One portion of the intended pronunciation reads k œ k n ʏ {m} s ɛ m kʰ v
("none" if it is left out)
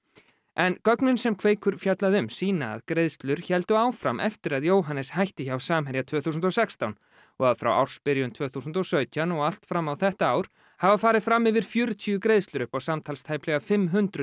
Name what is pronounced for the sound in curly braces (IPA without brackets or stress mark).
n